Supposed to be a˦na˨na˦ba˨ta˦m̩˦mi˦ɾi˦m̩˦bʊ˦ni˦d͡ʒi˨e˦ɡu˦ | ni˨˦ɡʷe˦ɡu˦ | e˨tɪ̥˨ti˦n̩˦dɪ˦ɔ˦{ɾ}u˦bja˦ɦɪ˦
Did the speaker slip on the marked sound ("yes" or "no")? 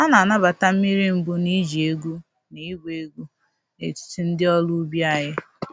yes